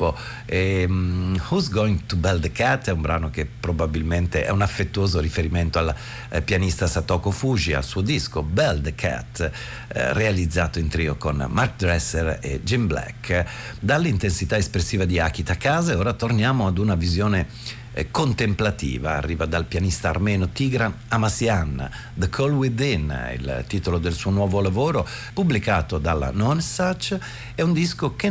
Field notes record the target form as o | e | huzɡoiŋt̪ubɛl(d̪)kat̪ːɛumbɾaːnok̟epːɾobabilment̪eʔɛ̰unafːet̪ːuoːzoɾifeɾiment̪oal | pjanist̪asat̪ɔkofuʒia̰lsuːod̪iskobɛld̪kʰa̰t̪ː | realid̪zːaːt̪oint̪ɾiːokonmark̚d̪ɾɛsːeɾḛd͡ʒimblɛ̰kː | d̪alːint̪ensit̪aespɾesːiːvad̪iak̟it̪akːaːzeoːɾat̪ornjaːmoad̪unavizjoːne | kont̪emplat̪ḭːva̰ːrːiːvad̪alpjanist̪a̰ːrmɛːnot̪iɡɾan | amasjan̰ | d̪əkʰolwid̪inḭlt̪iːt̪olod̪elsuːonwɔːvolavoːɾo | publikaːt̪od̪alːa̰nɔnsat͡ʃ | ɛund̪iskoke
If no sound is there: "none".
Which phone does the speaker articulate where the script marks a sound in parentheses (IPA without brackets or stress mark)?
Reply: d̪